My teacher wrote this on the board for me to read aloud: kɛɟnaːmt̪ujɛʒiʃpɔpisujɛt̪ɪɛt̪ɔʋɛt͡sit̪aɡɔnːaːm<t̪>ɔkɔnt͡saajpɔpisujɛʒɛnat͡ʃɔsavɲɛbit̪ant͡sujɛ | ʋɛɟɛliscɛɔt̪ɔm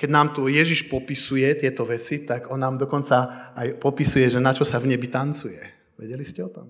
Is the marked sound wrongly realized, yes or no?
yes